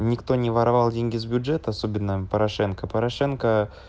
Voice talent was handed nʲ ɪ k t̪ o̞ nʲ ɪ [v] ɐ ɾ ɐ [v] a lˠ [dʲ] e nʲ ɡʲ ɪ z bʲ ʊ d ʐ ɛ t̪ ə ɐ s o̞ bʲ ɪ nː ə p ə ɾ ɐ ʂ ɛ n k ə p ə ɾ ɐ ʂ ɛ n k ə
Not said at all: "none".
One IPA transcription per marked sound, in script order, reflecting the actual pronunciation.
v, v, dʲ

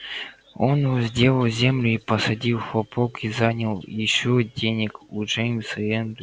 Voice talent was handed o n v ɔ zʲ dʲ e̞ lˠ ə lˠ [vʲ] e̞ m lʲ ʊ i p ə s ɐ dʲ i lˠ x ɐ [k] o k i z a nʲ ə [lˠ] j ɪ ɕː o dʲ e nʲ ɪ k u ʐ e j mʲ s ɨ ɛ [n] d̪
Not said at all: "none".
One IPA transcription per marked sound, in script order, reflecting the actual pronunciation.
zʲ, p, lˠ, n

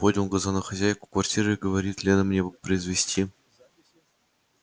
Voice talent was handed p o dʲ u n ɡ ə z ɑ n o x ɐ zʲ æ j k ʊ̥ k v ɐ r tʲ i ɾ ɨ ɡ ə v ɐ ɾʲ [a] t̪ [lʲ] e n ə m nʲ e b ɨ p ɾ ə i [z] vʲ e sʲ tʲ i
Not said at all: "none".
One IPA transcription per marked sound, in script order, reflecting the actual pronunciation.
i, lʲ, z

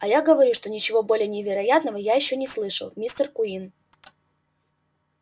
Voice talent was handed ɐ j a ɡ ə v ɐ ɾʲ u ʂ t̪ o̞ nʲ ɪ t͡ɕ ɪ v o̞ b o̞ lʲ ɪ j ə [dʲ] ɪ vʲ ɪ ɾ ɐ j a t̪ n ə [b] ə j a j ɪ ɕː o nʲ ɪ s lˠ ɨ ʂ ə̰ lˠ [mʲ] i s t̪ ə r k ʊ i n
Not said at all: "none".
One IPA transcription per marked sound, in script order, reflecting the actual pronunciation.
nʲ, v, mʲ

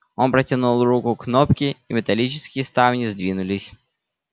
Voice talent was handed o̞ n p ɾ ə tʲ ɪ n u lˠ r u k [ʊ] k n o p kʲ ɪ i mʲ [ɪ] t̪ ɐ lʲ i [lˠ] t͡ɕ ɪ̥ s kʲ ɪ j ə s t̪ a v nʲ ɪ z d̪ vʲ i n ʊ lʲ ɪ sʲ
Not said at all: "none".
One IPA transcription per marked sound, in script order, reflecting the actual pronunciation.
ʊ, ɪ, none

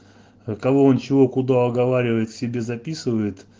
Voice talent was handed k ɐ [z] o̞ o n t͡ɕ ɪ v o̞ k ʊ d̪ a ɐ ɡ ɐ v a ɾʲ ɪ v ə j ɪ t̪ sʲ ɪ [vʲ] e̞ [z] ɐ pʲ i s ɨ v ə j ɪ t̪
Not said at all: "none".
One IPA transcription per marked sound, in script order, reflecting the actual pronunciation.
v, bʲ, z

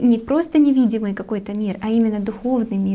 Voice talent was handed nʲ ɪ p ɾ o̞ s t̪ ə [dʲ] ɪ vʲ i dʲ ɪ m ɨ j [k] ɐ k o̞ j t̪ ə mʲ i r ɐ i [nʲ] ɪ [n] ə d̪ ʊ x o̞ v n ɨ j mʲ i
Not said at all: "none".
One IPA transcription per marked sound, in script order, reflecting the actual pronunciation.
nʲ, k, mʲ, nː

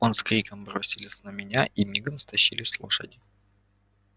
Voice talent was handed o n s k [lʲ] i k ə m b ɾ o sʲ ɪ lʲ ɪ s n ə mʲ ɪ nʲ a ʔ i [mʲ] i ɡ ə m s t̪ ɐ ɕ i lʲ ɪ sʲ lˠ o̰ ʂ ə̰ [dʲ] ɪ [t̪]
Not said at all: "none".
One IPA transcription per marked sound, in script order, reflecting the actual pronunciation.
ɾʲ, mʲ, dʲ, none

